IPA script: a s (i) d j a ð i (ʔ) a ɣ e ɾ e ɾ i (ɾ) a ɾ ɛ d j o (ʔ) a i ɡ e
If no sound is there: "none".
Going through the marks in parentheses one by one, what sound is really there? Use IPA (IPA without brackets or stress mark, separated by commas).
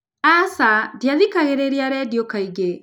a, k, none, k